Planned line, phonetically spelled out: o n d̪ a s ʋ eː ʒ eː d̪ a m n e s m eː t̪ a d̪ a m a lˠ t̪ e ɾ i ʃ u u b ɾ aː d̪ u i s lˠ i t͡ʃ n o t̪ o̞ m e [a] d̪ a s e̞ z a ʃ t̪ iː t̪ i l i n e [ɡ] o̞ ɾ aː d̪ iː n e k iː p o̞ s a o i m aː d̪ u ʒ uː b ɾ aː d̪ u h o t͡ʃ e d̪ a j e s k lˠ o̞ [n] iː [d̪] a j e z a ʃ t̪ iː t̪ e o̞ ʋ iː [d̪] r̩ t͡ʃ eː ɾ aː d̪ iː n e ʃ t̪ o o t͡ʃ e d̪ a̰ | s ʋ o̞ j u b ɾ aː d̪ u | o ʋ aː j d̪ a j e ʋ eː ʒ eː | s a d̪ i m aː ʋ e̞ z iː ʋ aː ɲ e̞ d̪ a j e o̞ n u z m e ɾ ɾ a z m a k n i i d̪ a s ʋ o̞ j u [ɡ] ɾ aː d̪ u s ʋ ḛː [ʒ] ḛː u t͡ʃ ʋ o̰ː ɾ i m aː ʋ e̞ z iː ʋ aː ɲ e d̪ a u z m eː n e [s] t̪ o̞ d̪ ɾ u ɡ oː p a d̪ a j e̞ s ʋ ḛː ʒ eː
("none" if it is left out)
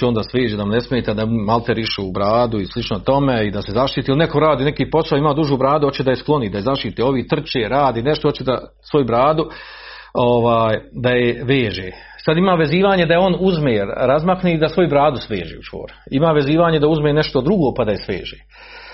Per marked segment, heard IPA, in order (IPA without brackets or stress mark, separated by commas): i, k, n, d̪, t̪, b, ʒ, ʃ